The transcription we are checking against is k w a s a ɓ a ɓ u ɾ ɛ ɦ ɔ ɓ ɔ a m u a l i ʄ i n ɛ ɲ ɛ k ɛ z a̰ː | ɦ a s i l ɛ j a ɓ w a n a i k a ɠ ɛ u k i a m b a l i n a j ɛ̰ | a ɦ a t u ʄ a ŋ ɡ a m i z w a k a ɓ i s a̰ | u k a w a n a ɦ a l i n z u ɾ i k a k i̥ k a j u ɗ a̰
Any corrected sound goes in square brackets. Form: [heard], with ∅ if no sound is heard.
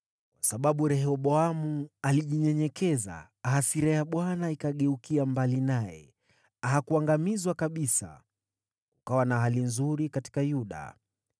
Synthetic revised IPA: k w a s a ɓ a ɓ u ɾ ɛ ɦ ɔ ɓ ɔ a m u a l i ʄ i [ɲ] ɛ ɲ ɛ k ɛ z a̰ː | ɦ a s i [ɾ] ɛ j a ɓ w a n a i k a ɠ ɛ u k i a m b a l i n a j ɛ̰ | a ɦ a [k] u [∅] a ŋ ɡ a m i z w a k a ɓ i s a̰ | u k a w a n a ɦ a l i n z u ɾ i k a [t] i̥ k a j u ɗ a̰

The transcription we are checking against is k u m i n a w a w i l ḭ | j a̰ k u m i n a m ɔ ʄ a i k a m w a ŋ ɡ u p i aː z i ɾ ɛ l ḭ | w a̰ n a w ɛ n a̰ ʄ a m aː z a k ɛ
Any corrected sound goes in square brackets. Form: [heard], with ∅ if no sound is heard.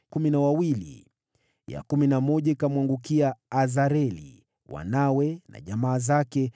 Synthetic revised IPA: k u m i n a w a w i l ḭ | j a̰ k u m i n a m ɔ ʄ a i k a m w a ŋ ɡ u [k] i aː z [a] ɾ ɛ l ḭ | w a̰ n a w ɛ n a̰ ʄ a m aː z a k ɛ

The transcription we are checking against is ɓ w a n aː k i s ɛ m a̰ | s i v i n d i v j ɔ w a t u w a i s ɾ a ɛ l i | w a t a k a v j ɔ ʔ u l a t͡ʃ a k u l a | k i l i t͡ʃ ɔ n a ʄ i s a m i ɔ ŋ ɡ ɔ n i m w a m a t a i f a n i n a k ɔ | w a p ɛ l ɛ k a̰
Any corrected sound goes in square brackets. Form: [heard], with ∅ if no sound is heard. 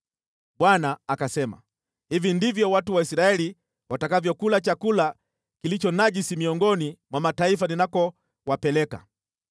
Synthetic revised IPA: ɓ w a n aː k [a] s ɛ m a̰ | [h] i v i n d i v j ɔ w a t u w a i s ɾ a ɛ l i | w a t a k a v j ɔ [k] u l a t͡ʃ a k u l a | k i l i t͡ʃ ɔ n a ʄ i s [i] m i ɔ ŋ ɡ ɔ n i m w a m a t a i f a n i n a k ɔ | w a p ɛ l ɛ k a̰

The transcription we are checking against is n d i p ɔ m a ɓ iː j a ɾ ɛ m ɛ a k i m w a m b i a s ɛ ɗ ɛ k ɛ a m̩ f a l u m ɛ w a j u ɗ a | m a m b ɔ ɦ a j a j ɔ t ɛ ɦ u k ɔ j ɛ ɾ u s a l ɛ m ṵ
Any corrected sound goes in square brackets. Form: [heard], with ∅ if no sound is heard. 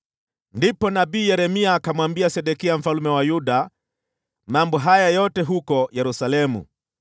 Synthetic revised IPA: n d i p ɔ [n] a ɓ iː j [ɛ] ɾ ɛ m [i] a k [a] m w a m b i a s ɛ ɗ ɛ k [i] a m̩ f a l u m ɛ w a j u ɗ a | m a m b ɔ ɦ a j a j ɔ t ɛ ɦ u k ɔ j ɛ ɾ u s a l ɛ m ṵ

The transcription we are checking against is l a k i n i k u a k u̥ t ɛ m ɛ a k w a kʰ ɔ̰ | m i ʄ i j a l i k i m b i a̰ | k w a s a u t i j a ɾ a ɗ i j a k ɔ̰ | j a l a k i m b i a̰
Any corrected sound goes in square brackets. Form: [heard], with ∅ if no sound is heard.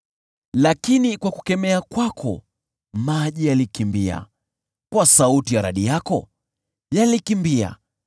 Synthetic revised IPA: l a k i n i k [w] a k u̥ [k] ɛ m ɛ a k w a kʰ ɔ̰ | m [a] ʄ i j a l i k i m b i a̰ | k w a s a u t i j a ɾ a ɗ i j a k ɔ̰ | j a l [i] k i m b i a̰

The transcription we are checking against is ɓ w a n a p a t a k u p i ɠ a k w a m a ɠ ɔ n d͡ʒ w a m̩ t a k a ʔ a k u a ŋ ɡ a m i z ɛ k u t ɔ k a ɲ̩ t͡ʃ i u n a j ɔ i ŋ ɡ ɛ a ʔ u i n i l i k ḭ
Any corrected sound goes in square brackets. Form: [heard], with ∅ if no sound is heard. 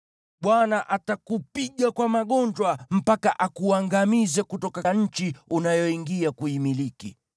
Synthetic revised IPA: ɓ w a n a [ʔ] a t a k u p i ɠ a k w a m a ɠ ɔ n d͡ʒ w a m̩ [p] a k a ʔ a k u a ŋ ɡ a m i z ɛ k u t ɔ k a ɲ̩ t͡ʃ i u n a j ɔ i ŋ ɡ [i] a [k] u i [m] i l i k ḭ

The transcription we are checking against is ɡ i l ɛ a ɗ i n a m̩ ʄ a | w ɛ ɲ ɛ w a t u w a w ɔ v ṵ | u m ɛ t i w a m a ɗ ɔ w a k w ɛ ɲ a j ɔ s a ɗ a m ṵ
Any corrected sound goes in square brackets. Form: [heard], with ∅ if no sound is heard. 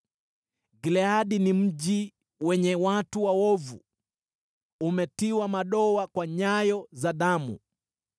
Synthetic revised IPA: ɡ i l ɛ a ɗ i n [i] m̩ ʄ [i] | w ɛ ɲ ɛ w a t u w a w ɔ v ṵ | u m ɛ t i w a m a ɗ ɔ w a k w [a] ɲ a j ɔ [z] a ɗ a m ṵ

